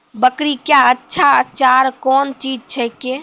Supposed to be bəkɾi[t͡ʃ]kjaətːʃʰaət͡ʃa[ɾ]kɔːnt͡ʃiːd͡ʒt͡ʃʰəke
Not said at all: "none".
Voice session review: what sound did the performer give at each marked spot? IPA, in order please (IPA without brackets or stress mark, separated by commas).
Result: none, ɾ